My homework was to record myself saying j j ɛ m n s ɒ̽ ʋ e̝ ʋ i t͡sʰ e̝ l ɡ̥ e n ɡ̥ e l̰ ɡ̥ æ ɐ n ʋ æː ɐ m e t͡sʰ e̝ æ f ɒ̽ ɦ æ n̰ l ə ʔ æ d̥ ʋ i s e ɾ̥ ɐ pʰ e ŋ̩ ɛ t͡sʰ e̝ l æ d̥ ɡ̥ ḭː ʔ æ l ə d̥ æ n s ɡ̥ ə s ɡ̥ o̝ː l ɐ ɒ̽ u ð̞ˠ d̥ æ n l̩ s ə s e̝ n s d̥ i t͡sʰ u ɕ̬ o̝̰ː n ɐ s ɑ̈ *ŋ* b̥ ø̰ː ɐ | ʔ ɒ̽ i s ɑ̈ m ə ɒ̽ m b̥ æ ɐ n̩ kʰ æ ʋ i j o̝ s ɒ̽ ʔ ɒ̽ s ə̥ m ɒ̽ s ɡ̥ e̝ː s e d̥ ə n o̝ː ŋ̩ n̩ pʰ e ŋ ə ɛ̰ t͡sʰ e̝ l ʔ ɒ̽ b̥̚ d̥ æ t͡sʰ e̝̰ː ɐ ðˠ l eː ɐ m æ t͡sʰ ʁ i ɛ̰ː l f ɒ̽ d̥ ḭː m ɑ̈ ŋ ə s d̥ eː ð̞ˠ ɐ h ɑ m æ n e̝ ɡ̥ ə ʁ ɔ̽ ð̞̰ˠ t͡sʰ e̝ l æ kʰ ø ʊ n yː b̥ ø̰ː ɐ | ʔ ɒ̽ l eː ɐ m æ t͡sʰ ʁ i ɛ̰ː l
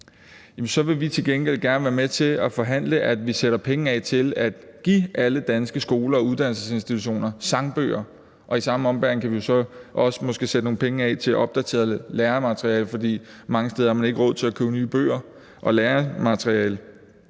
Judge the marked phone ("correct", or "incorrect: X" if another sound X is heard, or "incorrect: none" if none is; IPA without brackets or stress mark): correct